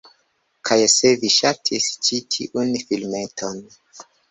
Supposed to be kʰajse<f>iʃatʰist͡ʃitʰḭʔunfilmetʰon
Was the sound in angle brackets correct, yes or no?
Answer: no